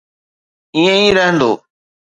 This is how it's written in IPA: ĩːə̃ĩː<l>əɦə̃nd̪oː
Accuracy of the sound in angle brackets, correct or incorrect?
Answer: incorrect